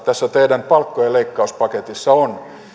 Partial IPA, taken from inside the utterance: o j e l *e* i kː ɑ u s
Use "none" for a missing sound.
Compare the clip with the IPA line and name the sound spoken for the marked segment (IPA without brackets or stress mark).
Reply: e